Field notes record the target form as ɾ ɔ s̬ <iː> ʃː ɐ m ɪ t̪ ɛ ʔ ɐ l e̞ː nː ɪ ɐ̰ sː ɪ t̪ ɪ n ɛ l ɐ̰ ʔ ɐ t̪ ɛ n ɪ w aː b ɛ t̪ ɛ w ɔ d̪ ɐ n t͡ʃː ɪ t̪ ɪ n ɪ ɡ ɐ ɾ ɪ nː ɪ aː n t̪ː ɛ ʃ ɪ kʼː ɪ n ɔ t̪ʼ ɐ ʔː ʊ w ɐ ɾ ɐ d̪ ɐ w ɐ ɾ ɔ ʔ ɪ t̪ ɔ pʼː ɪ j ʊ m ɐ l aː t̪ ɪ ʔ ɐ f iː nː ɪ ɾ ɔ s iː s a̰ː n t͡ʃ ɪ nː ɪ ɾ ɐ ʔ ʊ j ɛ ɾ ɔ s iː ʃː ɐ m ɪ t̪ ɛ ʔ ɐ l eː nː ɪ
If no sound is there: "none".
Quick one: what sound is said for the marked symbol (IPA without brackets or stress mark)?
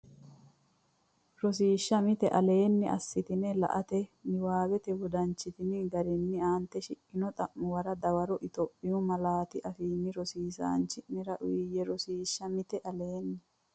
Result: iː